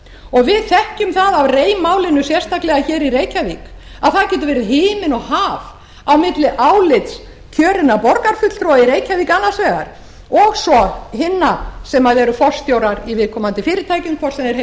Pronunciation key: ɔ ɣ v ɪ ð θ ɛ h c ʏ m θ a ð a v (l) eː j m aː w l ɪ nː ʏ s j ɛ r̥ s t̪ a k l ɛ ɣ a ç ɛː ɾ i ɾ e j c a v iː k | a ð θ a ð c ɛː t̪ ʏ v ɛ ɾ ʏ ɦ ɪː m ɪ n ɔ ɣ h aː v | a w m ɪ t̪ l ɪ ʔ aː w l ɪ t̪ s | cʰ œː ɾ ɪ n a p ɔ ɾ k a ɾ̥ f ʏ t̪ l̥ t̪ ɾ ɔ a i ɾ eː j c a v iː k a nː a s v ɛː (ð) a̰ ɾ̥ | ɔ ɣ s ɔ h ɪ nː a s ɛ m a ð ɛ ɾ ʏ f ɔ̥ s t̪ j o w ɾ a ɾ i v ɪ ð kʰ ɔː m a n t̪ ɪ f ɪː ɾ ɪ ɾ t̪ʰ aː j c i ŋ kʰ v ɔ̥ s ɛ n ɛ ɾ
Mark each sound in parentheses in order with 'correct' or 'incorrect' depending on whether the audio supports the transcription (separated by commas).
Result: incorrect, incorrect